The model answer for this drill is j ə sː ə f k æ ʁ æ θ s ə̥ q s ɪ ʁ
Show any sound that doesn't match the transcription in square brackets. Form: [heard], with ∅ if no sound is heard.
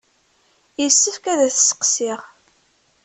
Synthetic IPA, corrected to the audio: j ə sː ə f k æ [ð] æ θ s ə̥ q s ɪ ʁ